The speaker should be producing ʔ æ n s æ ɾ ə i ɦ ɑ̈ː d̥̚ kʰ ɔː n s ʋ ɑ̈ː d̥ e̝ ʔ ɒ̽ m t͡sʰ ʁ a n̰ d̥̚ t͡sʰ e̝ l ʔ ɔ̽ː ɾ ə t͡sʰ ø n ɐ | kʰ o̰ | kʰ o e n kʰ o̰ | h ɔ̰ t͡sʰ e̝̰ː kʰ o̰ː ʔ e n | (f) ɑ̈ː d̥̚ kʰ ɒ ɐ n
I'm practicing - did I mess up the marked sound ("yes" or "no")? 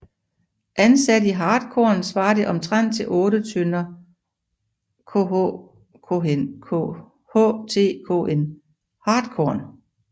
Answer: yes